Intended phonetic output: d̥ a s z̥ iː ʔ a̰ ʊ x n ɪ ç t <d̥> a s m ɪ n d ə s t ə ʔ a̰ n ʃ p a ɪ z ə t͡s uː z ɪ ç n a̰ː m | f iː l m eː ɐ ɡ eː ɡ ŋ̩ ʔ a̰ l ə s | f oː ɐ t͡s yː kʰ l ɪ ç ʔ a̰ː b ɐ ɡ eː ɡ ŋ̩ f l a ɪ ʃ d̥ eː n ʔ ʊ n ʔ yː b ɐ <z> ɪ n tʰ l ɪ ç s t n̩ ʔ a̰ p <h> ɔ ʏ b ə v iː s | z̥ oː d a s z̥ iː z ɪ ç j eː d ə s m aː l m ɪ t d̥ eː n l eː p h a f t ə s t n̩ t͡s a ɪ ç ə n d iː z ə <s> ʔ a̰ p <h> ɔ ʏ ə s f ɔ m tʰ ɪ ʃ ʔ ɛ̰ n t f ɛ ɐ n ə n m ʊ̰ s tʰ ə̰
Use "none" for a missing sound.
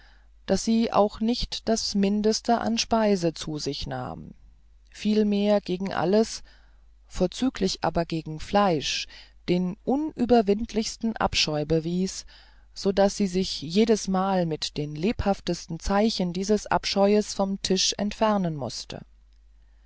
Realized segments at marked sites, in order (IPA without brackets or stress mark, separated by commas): d̥, v, ʃ, s, ʃ